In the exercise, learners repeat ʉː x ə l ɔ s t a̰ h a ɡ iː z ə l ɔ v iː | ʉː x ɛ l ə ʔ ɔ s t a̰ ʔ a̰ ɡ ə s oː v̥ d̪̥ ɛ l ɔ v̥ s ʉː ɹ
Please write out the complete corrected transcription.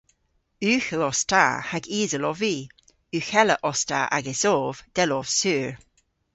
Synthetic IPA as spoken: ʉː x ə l ɔ s t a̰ h a ɡ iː z ə l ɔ v iː | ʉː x ɛ l ə ʔ ɔ s t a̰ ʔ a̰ ɡ ə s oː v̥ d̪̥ ɛ l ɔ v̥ s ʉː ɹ